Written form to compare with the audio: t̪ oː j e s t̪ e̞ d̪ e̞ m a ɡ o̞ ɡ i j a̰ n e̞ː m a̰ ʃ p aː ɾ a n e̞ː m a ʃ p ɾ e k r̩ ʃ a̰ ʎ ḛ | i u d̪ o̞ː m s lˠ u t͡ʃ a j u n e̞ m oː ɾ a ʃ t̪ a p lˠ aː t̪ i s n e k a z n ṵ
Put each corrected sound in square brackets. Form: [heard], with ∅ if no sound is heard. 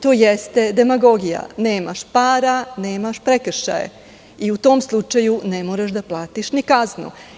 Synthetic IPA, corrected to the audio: t̪ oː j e s t̪ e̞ d̪ e̞ m a ɡ o̞ ɡ i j a̰ n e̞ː m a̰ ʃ p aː ɾ a n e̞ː m a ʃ p ɾ e k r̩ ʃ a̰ [j] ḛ | i u [t̪] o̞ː m s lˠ u t͡ʃ a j u n e̞ m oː ɾ a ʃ [d̪] a p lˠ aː t̪ i [ʃ] n [i] k a z n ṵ